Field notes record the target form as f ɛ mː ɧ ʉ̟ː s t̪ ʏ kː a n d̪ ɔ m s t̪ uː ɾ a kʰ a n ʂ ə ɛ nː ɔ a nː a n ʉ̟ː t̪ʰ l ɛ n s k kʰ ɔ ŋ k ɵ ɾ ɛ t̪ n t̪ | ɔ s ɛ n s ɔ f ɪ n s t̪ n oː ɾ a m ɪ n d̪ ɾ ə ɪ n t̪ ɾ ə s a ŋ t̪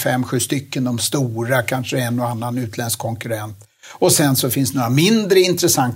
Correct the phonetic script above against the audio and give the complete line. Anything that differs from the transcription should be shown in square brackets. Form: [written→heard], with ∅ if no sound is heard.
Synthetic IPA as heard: f ɛ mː ɧ ʉ̟ː s t̪ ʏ kː [a→ə] n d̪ ɔ m s t̪ uː ɾ a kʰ a n ʂ ə ɛ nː ɔ a nː a n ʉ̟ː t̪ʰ l ɛ n s k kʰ ɔ ŋ k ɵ ɾ ɛ [t̪→∅] n t̪ | ɔ s ɛ n s ɔ f ɪ n s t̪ n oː ɾ a m ɪ n d̪ ɾ ə ɪ n t̪ ɾ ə s a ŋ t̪